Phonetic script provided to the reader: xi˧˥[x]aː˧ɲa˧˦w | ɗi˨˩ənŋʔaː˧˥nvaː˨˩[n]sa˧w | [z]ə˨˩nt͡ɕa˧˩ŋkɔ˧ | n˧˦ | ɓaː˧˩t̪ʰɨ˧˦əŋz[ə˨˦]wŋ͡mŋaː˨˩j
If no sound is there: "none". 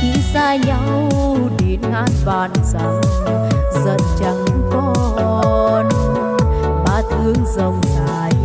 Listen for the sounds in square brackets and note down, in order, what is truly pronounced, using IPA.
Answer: s, n, z, ə˨˩

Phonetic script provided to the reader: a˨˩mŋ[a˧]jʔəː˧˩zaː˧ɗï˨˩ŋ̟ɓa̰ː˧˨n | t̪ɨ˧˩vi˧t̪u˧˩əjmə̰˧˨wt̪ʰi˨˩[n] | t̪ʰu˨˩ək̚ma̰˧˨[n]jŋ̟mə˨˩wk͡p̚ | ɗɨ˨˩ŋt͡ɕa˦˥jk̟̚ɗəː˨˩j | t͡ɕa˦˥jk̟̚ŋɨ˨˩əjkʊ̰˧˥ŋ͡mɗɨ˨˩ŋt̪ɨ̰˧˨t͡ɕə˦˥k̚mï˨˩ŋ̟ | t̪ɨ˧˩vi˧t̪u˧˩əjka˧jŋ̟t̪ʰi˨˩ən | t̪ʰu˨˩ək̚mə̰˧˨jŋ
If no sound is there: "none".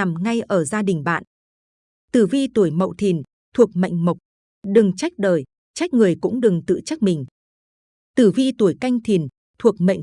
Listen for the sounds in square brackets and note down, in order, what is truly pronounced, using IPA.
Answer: a˧, n, none

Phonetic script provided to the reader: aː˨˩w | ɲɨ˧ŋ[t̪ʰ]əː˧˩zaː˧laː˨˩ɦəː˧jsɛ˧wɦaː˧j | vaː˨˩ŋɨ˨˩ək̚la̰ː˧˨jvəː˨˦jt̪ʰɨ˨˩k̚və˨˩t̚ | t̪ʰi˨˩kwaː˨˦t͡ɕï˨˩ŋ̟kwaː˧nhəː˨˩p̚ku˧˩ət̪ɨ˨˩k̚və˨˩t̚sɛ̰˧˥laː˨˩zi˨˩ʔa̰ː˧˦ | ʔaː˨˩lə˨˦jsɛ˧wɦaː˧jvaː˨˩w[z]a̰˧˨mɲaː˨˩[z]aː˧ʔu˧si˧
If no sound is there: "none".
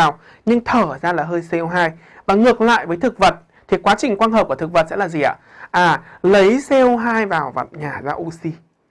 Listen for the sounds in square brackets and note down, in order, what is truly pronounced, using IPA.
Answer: t̪ʰ, v, z

